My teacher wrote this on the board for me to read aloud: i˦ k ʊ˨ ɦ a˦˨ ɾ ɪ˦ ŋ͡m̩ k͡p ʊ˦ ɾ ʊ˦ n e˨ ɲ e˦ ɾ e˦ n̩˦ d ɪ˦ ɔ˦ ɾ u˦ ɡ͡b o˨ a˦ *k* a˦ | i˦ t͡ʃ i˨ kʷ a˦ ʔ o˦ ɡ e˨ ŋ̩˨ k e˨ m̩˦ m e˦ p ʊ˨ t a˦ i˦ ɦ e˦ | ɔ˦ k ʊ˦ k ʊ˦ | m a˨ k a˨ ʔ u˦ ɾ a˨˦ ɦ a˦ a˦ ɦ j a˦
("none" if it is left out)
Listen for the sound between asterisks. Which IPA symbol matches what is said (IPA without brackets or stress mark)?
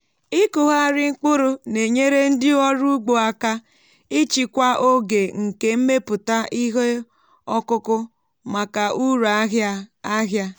k